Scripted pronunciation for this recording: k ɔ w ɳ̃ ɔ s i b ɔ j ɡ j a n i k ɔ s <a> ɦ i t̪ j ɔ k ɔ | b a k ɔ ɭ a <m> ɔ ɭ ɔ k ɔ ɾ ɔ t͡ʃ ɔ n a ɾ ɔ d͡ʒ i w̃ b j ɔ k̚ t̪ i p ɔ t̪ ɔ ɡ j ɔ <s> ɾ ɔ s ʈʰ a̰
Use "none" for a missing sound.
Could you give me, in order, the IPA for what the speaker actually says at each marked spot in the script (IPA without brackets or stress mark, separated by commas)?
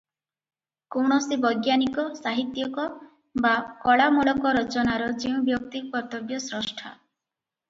a, m, s